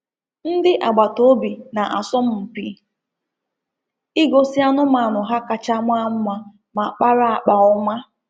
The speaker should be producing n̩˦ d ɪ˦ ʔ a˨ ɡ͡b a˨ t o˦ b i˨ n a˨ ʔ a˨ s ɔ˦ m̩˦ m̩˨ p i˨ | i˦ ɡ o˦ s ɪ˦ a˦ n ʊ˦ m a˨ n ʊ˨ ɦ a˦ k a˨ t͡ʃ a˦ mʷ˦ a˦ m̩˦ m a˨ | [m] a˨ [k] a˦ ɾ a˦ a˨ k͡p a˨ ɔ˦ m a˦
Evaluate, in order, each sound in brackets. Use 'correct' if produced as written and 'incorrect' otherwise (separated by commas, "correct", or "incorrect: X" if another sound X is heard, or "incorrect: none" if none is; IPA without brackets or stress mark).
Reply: correct, incorrect: k͡p